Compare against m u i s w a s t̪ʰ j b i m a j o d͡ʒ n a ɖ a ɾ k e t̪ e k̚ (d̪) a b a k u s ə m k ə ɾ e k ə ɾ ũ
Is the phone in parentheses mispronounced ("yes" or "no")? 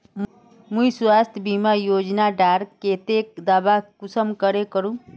no